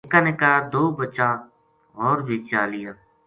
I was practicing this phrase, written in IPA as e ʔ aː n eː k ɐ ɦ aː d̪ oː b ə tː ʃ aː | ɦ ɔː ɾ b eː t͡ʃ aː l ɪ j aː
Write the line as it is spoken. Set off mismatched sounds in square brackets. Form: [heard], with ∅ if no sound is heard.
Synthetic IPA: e [k] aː n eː k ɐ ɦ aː d̪ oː b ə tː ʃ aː | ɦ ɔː ɾ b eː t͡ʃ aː l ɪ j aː

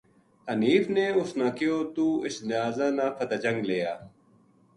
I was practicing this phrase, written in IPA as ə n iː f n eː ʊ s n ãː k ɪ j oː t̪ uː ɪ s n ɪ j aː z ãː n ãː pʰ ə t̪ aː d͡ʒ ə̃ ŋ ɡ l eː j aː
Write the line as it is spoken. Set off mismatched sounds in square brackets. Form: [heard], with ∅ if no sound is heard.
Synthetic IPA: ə n iː f n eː ʊ s n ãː k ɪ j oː t̪ uː ɪ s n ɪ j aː z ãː n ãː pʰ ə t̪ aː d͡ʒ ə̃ ŋ ɡ l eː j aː

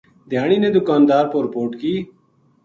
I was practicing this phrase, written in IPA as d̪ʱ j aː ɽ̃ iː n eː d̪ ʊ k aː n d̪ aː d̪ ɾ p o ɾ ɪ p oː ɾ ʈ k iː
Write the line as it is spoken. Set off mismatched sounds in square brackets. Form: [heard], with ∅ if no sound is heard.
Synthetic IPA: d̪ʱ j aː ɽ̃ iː n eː d̪ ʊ k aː n d̪ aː [∅] ɾ p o ɾ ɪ p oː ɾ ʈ k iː

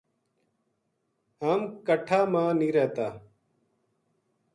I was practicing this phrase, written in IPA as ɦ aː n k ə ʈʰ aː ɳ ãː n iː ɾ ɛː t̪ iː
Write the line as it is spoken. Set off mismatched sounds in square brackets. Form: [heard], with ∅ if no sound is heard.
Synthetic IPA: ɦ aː [m] k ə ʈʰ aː [m] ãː n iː ɾ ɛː t̪ [aː]

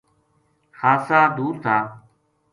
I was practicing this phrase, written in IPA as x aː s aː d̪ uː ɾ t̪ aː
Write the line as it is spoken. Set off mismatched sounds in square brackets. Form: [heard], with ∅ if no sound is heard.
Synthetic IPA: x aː s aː d̪ uː ɾ [t̪ʰ] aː

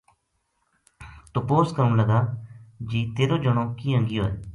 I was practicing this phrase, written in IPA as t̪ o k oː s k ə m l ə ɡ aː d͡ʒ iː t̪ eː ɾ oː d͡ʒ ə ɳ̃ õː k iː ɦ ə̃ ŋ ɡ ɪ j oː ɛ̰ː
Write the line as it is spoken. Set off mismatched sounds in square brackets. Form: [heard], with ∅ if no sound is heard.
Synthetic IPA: t̪ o [p] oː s k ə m l ə ɡ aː d͡ʒ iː t̪ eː ɾ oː d͡ʒ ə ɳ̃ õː k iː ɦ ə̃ ŋ ɡ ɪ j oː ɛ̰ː

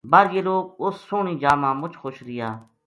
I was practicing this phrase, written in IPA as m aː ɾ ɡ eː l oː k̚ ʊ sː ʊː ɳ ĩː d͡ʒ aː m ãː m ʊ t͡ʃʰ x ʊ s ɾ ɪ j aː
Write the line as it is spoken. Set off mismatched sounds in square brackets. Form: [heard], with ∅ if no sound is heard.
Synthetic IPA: [b] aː ɾ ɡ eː l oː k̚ ʊ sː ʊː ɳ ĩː d͡ʒ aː m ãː m ʊ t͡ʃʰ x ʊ [ʃ] ɾ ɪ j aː

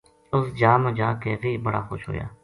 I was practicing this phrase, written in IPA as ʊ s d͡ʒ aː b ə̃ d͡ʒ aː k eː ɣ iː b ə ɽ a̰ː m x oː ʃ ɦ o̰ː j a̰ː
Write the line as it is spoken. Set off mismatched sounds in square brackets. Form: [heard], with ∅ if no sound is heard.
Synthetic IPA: ʊ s d͡ʒ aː [m] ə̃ d͡ʒ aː k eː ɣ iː b ə ɽ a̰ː [∅] x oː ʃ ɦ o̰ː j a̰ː

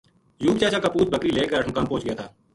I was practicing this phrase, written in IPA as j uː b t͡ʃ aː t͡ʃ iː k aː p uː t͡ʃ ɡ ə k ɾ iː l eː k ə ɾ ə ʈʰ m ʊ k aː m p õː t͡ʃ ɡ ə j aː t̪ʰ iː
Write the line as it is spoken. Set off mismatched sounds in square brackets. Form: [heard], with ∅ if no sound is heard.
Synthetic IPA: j uː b t͡ʃ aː t͡ʃ [aː] k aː p uː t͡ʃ [b] ə k ɾ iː l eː k ə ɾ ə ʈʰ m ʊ k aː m p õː t͡ʃ ɡ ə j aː t̪ʰ [aː]

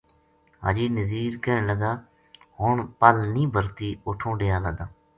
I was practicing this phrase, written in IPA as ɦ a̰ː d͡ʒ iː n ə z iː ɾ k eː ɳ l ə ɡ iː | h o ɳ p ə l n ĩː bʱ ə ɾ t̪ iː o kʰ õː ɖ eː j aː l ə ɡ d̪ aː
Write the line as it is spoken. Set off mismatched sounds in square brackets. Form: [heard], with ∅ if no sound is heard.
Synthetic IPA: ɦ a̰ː d͡ʒ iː n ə z iː ɾ k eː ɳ l ə ɡ [aː] | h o ɳ p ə l n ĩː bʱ ə ɾ t̪ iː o [ʈʰ] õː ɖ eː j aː l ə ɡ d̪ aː

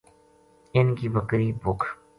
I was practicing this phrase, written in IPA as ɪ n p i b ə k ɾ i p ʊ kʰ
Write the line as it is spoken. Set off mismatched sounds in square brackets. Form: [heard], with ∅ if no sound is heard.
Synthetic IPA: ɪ n [k] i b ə k ɾ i [b] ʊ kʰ

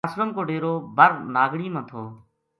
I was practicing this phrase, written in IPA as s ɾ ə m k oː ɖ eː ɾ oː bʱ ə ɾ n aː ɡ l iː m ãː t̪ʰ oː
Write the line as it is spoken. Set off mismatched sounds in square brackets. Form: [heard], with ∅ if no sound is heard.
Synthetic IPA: s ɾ ə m k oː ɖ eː ɾ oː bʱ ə ɾ n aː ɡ [ɽ] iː m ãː t̪ʰ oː

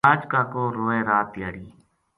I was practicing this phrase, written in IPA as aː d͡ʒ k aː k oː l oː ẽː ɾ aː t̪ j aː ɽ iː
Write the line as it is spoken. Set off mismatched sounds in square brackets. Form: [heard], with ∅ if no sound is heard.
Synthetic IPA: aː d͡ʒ k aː k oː [ɾ] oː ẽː ɾ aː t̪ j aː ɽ iː

